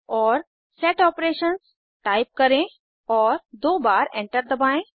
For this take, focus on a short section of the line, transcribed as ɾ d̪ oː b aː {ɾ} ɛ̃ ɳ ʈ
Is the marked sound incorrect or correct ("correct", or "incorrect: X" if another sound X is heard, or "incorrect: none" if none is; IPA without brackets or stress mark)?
correct